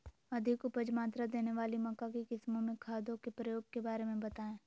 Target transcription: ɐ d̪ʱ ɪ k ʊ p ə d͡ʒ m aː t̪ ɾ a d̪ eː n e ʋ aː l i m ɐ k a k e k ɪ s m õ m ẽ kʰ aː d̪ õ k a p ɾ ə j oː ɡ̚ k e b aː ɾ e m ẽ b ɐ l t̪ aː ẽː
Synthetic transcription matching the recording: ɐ d̪ʱ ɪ k ʊ p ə d͡ʒ m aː t̪ ɾ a d̪ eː n e ʋ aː l i m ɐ k a k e k ɪ s m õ m ẽ kʰ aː d̪ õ k e p ɾ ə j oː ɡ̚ k e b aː ɾ e m ẽ b ɐ t̪ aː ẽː